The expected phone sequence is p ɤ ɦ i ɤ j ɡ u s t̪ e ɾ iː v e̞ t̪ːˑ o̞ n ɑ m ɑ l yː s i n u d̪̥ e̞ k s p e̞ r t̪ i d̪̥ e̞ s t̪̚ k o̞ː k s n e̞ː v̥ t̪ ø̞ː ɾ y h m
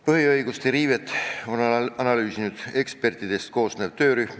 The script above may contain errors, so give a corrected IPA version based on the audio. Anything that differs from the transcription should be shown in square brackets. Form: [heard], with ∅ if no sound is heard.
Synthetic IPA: p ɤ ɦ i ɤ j ɡ u s t̪ e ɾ iː v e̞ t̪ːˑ o̞ n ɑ [n] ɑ l yː s i n u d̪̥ e̞ k s p e̞ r t̪ i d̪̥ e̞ s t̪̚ k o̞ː [∅] s n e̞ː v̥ t̪ ø̞ː ɾ y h m